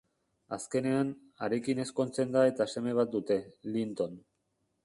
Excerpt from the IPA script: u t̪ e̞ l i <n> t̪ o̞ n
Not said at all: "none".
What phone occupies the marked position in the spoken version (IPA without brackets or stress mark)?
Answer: n